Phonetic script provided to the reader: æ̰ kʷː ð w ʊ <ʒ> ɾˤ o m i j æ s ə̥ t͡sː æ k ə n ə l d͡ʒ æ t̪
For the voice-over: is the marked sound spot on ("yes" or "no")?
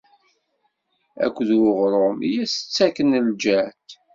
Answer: no